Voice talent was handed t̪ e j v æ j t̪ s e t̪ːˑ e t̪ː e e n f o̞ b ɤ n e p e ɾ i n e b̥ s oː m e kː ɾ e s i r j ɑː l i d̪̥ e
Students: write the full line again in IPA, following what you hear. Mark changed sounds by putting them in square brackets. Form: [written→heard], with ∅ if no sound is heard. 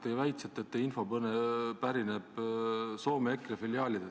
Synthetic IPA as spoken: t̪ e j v æ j t̪ s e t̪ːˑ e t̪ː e [e→i] n f o̞ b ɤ n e p [e→æ] ɾ i n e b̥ s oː m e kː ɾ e [s→f] i [r→l] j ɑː l i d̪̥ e